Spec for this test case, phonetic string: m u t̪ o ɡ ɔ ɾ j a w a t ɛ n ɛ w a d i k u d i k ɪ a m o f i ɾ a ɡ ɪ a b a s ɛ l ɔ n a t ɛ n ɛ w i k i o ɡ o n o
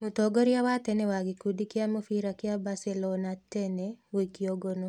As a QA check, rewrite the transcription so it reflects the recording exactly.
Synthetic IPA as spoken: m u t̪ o ɡ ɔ ɾ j a w a t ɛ n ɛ w a ɡ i k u d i k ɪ a m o f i ɾ a k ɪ a b a s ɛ l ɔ n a t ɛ n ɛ w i k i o ɡ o n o